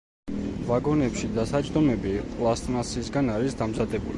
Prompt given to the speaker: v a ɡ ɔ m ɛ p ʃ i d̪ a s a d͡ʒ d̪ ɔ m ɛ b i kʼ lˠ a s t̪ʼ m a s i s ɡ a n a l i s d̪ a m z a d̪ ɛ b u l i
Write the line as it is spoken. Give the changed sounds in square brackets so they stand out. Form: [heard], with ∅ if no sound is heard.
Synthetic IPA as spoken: v a ɡ ɔ [n] ɛ p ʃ i d̪ a s a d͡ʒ d̪ ɔ m ɛ b i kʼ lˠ a s t̪ʼ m a s i s ɡ a n a [ɾ] i s d̪ a m z a d̪ ɛ b u l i